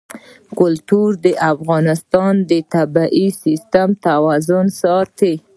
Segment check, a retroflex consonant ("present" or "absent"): absent